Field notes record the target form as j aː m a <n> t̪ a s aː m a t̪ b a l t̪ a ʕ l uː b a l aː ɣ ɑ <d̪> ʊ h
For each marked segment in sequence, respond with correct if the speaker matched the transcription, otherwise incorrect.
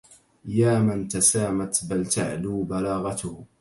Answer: correct, incorrect: t̪

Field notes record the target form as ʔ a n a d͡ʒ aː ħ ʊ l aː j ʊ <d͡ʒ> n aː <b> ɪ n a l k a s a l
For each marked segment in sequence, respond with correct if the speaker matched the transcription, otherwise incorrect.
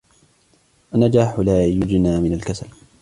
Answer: correct, incorrect: m

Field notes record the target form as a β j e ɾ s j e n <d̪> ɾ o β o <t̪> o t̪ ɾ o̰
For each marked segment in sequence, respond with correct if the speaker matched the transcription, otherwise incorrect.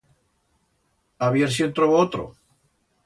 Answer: incorrect: t̪, incorrect: none

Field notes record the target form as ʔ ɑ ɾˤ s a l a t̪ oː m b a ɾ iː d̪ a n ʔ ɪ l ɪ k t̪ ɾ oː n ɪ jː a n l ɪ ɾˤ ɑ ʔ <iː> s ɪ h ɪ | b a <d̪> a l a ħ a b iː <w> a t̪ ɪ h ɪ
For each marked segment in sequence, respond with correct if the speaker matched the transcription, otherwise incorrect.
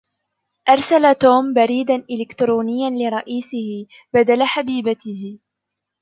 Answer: correct, correct, incorrect: b

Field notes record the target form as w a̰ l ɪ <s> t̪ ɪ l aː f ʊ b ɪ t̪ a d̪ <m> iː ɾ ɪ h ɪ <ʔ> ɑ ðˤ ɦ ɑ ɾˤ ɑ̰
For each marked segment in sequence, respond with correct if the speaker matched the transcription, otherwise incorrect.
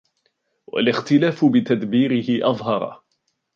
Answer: incorrect: x, incorrect: b, correct

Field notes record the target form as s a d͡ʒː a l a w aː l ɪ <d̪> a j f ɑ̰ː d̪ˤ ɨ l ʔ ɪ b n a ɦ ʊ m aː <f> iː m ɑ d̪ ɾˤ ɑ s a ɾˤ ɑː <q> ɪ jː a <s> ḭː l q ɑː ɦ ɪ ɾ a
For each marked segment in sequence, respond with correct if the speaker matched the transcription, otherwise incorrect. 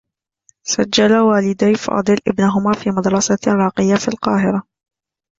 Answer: correct, correct, correct, incorrect: f

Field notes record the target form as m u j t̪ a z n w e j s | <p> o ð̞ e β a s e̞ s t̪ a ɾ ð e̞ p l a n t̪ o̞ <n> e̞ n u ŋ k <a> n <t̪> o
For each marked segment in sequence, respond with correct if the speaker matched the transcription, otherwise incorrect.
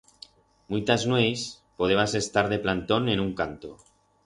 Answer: correct, correct, correct, correct

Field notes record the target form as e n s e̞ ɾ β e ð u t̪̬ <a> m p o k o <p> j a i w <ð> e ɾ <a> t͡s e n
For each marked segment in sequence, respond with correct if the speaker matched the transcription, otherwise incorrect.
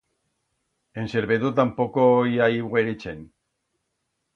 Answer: correct, incorrect: none, incorrect: ɣ, incorrect: i

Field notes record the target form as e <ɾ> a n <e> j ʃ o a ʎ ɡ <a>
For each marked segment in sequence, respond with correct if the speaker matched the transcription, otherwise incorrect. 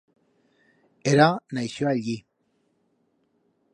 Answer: correct, incorrect: a, incorrect: i

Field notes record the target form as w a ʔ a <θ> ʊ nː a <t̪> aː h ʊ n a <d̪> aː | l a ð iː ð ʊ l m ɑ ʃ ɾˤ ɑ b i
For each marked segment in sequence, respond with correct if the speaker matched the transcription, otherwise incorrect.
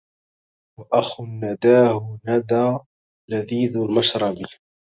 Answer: incorrect: x, incorrect: d̪, correct

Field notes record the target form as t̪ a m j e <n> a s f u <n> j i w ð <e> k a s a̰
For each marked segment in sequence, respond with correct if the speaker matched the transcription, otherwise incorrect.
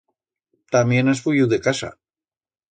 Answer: correct, incorrect: none, correct

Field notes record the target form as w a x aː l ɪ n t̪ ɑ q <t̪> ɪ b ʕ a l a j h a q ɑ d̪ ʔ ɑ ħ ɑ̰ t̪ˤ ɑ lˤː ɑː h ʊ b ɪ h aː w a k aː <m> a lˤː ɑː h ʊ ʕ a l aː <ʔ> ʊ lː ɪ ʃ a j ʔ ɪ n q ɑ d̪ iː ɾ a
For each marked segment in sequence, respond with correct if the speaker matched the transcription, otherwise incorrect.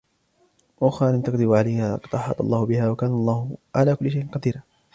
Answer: incorrect: d̪, incorrect: n, incorrect: k

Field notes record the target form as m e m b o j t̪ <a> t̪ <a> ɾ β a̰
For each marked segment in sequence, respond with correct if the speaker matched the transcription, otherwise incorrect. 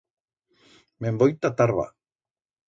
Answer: correct, correct

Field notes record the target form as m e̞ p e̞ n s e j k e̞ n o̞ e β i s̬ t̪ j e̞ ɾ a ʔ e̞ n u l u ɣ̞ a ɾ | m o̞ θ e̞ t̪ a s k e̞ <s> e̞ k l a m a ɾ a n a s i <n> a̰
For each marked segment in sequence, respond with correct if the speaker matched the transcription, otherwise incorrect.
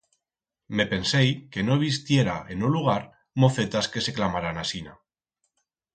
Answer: correct, correct

